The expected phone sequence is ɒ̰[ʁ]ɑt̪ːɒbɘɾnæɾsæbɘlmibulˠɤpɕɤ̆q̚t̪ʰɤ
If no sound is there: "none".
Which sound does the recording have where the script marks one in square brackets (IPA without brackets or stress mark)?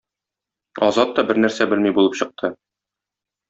z